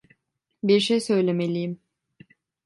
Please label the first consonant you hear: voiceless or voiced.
voiced